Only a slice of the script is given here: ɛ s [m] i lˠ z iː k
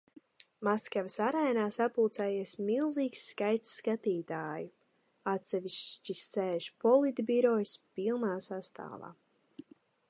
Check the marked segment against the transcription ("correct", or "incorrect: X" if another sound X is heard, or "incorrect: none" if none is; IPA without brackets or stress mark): correct